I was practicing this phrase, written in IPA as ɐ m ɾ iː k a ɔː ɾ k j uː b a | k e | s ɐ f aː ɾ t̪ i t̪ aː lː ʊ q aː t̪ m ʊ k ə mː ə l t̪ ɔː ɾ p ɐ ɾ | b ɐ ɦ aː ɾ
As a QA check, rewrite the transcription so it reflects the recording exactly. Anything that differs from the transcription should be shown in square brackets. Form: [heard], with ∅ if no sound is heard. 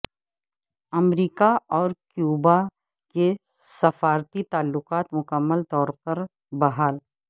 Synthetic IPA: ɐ m ɾ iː k a ɔː ɾ k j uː b a | k e | s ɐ f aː ɾ t̪ i t̪ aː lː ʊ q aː t̪ m ʊ k ə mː ə l t̪ ɔː ɾ p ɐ ɾ | b ɐ ɦ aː [l]